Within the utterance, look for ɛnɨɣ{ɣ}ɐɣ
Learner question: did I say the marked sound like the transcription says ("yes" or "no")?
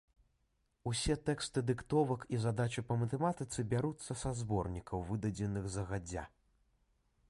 no